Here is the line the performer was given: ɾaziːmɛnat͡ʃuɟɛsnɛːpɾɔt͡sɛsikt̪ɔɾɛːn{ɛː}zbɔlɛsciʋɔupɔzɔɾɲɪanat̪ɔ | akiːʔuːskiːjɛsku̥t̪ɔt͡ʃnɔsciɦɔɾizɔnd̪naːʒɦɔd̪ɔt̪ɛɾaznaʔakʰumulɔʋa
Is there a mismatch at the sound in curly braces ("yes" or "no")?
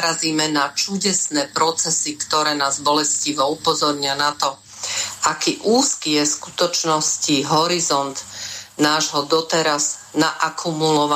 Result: yes